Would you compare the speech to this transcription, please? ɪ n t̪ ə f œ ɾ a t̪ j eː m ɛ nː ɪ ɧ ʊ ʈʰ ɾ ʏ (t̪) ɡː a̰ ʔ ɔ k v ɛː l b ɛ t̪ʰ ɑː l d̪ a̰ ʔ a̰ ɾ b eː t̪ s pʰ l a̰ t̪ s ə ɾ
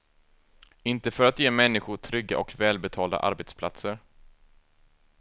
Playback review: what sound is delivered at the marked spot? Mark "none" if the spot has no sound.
none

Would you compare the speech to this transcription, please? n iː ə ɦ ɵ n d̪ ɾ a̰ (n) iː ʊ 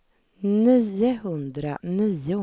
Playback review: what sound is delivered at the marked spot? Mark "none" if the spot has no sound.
n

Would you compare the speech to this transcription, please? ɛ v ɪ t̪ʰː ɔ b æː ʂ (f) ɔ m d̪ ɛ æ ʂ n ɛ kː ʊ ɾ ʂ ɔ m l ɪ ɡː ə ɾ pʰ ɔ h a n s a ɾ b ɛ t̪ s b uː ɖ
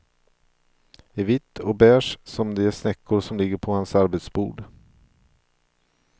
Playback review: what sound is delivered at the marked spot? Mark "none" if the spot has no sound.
s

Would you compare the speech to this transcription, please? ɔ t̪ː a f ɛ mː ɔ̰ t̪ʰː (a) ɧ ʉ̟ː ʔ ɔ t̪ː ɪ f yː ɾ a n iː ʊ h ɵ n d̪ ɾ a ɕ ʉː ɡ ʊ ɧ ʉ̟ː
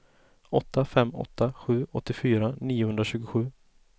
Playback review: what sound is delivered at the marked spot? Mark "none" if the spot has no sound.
a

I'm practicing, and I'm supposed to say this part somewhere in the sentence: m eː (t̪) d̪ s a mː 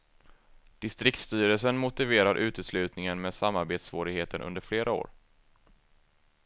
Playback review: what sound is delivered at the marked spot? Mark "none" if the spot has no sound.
none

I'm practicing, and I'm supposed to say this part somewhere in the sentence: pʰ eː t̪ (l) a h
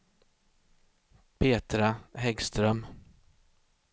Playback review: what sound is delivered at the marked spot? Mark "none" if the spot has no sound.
ɾ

